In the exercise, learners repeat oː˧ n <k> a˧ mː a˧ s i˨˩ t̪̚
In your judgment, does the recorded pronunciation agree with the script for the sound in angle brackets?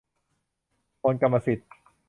yes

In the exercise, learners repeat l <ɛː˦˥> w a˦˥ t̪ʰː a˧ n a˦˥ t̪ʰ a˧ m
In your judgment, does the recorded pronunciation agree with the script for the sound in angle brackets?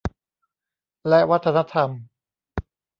no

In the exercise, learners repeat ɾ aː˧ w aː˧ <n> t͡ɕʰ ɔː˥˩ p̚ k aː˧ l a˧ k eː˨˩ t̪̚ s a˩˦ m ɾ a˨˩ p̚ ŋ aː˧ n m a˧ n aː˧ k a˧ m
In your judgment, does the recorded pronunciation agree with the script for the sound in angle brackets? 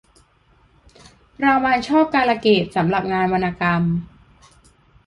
yes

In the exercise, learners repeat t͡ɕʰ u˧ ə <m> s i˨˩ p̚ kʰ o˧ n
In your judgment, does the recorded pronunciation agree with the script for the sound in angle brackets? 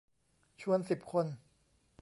no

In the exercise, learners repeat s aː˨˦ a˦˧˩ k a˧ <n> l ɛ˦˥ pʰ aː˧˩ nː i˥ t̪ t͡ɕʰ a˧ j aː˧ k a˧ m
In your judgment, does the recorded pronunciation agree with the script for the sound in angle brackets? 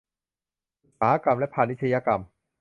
no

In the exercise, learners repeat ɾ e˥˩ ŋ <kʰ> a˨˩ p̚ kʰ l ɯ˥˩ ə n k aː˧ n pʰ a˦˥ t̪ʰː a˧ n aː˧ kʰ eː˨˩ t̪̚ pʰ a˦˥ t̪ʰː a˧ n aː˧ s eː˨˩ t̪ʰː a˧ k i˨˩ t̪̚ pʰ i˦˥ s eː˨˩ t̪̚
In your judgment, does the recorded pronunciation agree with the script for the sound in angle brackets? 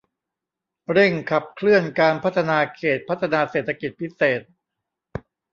yes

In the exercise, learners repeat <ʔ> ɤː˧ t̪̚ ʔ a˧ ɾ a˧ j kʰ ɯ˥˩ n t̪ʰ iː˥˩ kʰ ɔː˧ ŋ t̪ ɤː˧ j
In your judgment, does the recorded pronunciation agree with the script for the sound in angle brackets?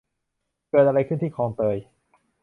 no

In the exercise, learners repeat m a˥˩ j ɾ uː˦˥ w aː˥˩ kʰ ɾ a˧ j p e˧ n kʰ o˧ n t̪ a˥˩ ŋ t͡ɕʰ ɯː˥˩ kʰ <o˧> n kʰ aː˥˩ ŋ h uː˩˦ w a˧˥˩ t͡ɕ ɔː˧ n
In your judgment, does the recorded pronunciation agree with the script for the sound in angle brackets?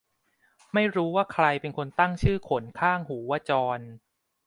no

